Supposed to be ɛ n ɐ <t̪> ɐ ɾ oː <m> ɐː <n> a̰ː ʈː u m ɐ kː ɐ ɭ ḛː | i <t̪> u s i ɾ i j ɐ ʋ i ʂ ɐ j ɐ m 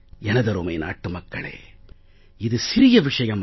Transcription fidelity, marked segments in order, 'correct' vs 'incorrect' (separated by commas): incorrect, correct, correct, incorrect